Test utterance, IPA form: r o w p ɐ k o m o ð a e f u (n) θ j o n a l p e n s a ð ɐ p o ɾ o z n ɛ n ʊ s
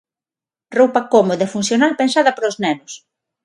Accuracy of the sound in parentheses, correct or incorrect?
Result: correct